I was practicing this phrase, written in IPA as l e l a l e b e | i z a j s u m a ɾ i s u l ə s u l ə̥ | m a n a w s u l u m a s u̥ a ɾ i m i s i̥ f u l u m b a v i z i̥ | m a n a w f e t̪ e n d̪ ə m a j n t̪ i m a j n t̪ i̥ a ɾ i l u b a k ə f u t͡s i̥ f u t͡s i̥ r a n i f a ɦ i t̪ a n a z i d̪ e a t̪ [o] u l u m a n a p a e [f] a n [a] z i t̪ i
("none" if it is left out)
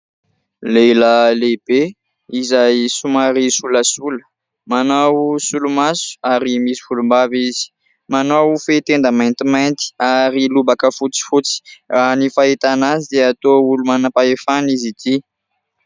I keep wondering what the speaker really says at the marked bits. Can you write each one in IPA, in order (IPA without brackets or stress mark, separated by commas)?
o, f, i